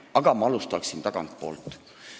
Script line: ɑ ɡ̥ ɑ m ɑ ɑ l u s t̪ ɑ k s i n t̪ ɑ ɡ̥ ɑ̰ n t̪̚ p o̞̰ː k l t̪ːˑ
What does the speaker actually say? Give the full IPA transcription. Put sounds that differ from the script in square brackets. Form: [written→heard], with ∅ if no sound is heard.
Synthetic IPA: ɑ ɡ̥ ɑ m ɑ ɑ l u s t̪ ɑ k s i n t̪ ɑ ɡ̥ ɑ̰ n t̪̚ p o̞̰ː [k→∅] l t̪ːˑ